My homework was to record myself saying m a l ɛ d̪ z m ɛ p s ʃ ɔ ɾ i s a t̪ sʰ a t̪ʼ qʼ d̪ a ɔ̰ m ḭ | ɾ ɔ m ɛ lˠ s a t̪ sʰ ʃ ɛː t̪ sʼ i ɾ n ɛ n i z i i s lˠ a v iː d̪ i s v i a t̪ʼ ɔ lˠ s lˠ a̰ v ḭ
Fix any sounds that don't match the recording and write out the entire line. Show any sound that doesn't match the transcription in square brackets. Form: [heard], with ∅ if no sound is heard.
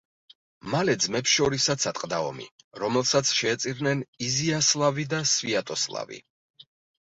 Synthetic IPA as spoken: m a l ɛ d̪ z m ɛ p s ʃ ɔ ɾ i s a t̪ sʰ a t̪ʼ qʼ d̪ a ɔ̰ m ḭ | ɾ ɔ m ɛ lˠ s a t̪ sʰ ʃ ɛː t̪ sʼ i ɾ n ɛ n i z i [a] s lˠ a v [i] d̪ [a] s v i a t̪ʼ ɔ [∅] s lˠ a̰ v ḭ